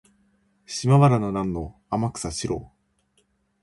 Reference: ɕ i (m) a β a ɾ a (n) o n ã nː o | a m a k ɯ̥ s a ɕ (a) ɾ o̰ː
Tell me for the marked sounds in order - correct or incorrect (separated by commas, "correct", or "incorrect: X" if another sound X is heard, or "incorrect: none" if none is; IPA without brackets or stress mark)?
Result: correct, correct, incorrect: i